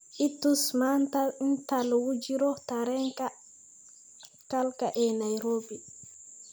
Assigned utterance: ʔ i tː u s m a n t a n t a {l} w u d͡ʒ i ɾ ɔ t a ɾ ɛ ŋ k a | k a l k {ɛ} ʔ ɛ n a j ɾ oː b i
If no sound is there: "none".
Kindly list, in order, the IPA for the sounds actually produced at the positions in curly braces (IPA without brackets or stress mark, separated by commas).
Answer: l, a